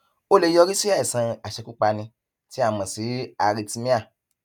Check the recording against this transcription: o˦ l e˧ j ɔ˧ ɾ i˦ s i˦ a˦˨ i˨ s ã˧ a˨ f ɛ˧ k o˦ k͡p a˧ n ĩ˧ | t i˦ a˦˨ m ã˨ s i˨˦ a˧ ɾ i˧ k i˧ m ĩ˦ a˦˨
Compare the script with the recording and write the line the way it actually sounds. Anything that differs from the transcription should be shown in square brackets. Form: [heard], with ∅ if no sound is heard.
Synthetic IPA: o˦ l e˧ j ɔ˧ ɾ i˦ s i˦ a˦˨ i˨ s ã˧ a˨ [ʃ] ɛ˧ k [u˦] k͡p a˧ n ĩ˧ | t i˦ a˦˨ m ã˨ s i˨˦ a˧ ɾ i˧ [t] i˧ m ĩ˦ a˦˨